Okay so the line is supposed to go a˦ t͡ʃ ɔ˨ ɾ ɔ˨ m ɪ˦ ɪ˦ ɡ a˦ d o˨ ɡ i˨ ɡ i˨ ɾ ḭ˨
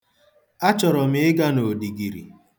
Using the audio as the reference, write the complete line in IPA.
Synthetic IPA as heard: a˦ t͡ʃ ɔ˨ ɾ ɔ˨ m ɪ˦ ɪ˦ ɡ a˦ n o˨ d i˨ ɡ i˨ ɾ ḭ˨